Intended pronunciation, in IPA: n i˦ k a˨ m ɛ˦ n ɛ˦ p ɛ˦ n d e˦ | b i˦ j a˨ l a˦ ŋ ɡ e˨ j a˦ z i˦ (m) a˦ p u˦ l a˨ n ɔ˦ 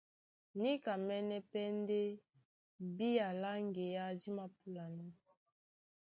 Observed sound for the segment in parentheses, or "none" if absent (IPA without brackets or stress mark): m